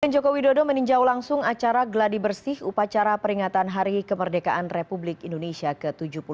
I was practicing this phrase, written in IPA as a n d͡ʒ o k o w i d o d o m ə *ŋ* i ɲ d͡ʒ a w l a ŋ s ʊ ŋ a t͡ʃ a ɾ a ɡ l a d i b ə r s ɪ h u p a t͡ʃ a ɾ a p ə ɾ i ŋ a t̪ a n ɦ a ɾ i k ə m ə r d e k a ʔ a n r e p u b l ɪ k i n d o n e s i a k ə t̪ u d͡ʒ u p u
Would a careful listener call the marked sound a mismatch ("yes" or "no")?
yes